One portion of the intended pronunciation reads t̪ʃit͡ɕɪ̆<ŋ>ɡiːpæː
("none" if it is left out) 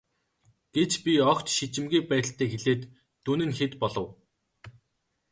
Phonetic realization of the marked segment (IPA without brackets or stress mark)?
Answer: m